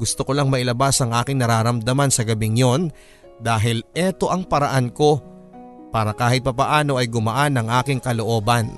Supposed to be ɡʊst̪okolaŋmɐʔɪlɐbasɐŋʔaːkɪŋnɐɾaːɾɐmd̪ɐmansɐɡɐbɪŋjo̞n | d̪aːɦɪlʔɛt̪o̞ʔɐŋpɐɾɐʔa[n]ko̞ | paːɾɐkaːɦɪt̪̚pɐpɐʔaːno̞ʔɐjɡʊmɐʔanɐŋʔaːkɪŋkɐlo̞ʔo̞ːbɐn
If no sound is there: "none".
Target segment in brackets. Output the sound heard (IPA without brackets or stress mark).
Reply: n